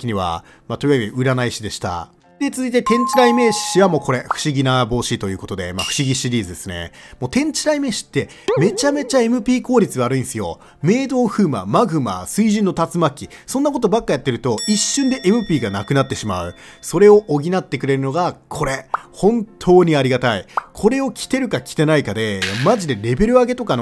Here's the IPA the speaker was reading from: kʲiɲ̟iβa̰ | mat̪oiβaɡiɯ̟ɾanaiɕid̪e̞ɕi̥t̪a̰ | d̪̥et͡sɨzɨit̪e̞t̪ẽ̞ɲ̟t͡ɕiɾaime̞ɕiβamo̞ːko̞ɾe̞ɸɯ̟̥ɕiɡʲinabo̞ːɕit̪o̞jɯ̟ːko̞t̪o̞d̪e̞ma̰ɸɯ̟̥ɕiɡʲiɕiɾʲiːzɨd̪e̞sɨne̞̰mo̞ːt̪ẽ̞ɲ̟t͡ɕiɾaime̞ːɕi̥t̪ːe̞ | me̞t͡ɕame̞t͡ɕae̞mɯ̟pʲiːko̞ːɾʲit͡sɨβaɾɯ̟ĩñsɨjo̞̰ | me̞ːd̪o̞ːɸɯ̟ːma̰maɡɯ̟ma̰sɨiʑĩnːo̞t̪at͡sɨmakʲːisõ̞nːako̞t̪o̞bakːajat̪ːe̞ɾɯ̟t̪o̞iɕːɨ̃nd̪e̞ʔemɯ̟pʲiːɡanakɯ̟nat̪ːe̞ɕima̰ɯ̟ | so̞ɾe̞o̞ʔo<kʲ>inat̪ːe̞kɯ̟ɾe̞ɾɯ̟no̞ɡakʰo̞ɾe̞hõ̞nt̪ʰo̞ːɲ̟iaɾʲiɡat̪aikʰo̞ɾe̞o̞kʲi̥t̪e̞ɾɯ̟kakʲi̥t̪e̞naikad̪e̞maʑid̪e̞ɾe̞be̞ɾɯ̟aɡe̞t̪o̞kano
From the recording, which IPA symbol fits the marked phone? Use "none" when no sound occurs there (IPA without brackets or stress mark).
ɡʲ